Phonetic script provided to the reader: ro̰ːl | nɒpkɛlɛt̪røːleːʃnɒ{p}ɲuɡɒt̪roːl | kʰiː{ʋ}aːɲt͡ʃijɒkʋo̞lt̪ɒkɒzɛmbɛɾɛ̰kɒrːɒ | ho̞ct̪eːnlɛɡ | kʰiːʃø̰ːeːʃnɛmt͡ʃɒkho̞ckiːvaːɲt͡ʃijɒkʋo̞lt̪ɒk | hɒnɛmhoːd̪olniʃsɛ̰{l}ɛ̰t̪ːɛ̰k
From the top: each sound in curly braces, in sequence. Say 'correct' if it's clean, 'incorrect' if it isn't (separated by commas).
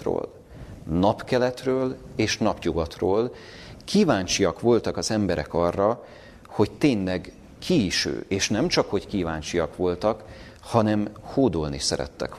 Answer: correct, incorrect, incorrect